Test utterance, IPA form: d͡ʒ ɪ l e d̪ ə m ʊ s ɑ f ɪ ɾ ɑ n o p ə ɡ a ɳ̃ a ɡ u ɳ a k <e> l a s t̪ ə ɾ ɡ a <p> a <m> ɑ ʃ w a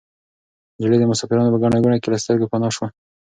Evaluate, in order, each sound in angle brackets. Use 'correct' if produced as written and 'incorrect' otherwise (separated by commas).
correct, correct, incorrect